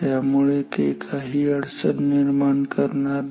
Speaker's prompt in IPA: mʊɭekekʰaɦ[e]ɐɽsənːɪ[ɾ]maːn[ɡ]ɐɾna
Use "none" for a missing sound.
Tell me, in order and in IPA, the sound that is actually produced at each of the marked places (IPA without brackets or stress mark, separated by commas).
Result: i, ɾ, k